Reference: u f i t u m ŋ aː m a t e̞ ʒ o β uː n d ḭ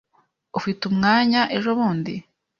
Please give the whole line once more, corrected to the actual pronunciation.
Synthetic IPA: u f i t u m ŋ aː ɲ a ʔ e̞ ʒ o β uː n d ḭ